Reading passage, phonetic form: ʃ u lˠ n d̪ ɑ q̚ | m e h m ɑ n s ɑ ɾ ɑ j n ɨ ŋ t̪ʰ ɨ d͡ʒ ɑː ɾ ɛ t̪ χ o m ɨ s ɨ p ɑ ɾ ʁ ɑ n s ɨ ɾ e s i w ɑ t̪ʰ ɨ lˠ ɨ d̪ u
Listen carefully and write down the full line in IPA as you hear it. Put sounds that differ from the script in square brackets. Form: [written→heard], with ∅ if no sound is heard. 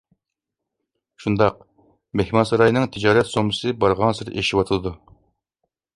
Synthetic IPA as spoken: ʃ u [lˠ→∅] n d̪ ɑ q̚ | m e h m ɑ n s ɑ ɾ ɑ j n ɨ ŋ t̪ʰ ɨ d͡ʒ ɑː ɾ ɛ t̪ [χ→s] o m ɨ s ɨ [p→b] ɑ ɾ ʁ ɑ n s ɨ ɾ e [s→ʃ] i w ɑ t̪ʰ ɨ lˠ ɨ d̪ u

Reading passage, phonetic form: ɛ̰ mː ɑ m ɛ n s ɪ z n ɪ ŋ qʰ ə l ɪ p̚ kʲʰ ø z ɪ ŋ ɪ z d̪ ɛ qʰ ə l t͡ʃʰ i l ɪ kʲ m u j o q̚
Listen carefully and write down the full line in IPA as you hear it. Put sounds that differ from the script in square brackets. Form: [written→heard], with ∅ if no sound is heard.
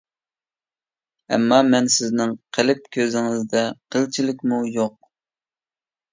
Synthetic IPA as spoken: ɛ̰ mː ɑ m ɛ n s ɪ z n ɪ ŋ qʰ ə l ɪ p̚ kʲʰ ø z ɪ ŋ ɪ z d̪ ɛ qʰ ə l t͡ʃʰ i l ɪ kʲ m u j o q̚

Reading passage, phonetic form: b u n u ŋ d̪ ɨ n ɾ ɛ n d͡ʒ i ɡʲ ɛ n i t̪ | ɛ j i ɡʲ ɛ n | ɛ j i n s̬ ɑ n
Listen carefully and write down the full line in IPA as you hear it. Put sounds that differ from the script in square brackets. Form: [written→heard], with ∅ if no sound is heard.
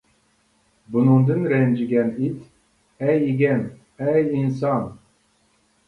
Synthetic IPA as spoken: b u n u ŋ d̪ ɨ n ɾ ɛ n d͡ʒ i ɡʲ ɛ n i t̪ | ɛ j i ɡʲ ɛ n | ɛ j i n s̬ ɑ n

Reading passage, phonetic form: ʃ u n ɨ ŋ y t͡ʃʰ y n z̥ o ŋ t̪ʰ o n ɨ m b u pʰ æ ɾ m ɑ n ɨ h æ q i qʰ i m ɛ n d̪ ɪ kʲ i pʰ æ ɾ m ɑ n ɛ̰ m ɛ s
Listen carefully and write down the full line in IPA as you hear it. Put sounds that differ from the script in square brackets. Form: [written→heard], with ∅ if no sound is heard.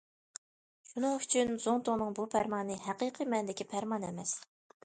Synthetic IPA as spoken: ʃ u n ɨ ŋ y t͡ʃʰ y n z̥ o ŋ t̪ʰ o n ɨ [m→ŋ] b u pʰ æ ɾ m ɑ n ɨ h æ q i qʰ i m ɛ n d̪ ɪ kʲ i pʰ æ ɾ m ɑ n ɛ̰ m ɛ s

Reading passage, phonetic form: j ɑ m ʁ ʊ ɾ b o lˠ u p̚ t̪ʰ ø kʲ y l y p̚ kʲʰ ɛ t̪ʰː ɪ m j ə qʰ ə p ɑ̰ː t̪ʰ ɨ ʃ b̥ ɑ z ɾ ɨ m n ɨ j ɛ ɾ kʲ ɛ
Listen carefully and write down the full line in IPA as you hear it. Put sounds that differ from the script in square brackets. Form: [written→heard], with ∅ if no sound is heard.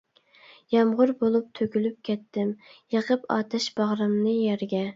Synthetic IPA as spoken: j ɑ m ʁ ʊ ɾ b o lˠ u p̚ t̪ʰ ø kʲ y l y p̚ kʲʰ ɛ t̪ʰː ɪ m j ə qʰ ə p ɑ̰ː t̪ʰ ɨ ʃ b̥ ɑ [z→ʁ] ɾ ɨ m n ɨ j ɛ ɾ [kʲ→ɡʲ] ɛ

